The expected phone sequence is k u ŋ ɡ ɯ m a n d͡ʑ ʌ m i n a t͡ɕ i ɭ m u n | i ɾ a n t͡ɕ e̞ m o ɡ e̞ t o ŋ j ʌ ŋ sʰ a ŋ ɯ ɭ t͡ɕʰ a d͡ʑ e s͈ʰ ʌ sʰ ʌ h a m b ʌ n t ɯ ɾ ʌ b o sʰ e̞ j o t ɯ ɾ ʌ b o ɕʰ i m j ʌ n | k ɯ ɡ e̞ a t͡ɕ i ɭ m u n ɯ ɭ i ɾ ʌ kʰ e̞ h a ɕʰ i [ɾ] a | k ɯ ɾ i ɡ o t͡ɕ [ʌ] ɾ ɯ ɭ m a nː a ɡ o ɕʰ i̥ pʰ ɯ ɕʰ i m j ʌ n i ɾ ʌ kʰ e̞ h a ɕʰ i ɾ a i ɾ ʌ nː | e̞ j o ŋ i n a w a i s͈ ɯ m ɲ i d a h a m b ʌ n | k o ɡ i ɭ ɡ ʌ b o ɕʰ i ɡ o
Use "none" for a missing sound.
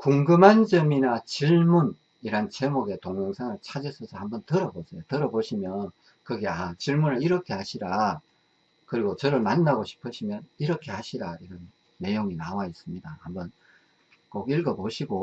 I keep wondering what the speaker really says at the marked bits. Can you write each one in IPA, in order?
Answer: ɾ, ʌ

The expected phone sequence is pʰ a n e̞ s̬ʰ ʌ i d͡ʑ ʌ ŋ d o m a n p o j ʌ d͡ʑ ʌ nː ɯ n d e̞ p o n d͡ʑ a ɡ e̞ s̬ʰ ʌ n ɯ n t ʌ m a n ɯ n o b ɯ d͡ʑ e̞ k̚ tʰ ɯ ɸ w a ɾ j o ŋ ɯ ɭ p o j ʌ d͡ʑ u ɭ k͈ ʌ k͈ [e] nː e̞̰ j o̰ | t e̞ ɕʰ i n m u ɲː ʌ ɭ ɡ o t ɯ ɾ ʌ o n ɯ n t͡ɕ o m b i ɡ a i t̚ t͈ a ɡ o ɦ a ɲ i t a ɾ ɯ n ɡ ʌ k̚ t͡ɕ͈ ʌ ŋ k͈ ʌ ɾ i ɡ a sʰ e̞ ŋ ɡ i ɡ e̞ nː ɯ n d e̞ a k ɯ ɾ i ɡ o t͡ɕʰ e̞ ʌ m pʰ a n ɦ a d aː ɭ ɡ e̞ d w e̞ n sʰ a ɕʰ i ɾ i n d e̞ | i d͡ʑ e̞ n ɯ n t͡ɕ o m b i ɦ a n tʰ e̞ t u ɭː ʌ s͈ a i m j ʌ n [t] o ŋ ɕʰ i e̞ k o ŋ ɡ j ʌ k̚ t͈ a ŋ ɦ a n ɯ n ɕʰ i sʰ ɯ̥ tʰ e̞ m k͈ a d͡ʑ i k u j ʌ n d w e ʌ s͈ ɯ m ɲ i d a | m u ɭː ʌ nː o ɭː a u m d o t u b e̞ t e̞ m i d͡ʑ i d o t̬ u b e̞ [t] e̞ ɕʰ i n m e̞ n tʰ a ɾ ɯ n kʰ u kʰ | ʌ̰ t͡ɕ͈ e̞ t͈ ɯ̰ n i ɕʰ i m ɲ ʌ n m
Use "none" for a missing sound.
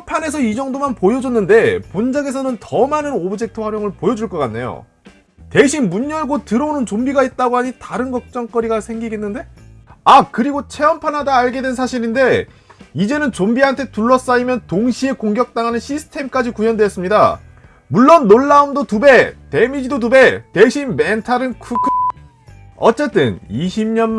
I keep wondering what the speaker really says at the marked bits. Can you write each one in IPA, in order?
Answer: a, t, t

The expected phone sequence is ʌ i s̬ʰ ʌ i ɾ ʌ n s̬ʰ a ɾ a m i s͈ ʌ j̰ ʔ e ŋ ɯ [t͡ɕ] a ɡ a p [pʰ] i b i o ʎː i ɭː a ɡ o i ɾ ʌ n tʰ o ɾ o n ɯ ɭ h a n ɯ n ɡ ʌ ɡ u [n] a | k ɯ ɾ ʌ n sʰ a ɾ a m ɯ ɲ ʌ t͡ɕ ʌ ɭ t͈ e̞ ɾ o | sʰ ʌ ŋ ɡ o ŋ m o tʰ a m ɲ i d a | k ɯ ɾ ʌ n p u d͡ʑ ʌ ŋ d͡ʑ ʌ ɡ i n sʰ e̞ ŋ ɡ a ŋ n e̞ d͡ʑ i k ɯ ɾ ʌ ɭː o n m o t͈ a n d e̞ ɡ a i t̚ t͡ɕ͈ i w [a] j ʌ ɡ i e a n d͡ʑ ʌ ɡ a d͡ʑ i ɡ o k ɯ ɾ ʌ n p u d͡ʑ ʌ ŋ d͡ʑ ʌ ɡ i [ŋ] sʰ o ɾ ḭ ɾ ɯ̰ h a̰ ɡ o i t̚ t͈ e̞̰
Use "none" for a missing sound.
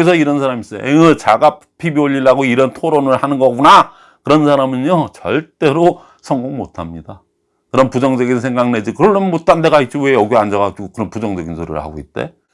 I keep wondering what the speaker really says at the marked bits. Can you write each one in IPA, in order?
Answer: t͡ɕ, pʰ, n, e, n

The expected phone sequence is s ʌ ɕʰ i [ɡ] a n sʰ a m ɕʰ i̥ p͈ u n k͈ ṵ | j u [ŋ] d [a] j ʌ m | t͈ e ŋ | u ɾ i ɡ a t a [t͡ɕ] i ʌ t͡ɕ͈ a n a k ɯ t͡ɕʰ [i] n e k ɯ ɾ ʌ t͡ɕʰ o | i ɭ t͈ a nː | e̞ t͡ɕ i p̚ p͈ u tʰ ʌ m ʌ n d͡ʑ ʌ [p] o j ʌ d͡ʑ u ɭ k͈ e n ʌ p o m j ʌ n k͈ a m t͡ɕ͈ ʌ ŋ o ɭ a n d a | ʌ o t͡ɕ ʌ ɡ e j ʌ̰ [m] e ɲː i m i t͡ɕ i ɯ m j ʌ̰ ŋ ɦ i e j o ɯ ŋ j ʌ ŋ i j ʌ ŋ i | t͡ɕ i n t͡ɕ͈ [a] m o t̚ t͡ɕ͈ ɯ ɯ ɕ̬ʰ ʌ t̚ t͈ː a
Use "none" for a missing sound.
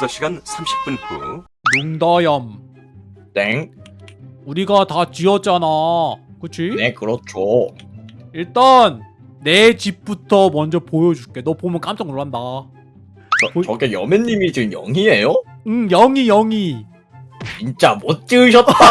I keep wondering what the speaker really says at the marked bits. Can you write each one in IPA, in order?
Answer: ɡ, ŋ, a, t͡ɕ, i, p, m, a

